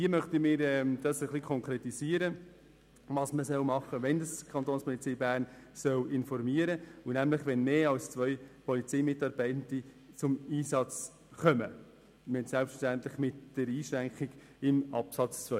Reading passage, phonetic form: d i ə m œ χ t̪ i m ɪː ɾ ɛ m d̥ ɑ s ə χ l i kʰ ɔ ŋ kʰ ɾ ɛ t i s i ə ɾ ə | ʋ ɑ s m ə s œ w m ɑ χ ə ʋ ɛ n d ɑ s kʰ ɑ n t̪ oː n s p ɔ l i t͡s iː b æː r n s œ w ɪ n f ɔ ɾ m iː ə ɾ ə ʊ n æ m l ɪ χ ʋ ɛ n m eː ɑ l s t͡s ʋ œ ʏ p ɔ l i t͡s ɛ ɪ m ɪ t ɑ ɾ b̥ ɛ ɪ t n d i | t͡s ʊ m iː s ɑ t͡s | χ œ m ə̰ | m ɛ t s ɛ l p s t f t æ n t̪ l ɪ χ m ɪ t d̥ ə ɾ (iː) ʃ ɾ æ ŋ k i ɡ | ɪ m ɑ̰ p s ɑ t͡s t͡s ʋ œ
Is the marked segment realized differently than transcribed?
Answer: no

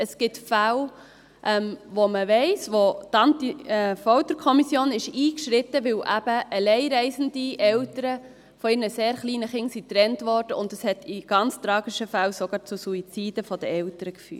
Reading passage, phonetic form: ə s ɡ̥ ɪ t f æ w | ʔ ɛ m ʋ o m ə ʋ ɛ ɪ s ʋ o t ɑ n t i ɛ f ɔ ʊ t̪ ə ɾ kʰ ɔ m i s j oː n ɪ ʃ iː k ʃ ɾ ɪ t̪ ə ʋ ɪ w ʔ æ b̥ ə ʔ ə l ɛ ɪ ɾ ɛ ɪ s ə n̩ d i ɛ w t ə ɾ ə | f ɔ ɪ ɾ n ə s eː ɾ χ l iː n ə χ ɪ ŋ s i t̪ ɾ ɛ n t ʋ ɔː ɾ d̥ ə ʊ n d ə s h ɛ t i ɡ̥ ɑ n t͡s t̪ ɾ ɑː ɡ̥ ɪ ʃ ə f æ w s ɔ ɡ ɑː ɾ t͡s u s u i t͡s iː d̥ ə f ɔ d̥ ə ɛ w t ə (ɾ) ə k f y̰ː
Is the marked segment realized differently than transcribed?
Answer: no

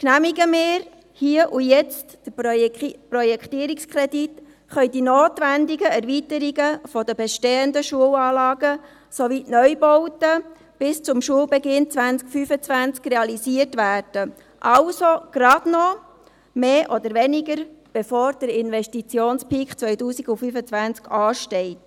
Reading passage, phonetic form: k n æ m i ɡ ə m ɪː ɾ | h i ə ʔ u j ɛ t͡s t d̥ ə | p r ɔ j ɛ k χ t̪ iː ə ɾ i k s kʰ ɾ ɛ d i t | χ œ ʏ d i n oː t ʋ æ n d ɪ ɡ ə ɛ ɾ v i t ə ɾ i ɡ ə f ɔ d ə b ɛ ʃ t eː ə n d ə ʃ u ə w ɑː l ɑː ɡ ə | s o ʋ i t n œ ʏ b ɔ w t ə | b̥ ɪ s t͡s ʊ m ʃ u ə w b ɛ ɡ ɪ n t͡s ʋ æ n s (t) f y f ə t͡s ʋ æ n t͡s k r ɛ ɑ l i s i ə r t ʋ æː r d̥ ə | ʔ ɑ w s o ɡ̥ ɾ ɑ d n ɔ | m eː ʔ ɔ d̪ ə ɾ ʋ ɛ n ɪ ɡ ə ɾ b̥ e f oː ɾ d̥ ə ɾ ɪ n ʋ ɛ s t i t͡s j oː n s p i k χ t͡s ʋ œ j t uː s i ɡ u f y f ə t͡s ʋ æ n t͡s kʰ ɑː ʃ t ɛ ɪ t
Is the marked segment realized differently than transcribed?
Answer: yes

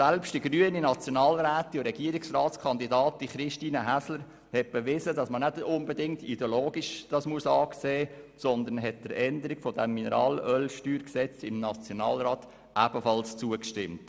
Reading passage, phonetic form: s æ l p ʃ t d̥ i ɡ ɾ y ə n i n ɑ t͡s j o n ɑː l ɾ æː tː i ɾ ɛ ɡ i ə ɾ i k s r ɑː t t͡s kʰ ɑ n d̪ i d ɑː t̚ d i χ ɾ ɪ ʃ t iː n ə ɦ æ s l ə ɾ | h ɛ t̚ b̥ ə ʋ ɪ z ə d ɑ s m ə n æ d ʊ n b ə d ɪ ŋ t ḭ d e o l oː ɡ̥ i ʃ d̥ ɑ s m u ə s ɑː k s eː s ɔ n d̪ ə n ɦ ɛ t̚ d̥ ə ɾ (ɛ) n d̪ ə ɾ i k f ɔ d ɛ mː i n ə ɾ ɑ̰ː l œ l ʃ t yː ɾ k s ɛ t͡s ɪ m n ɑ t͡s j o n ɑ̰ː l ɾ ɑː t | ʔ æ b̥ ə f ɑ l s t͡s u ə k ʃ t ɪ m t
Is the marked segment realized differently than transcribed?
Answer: no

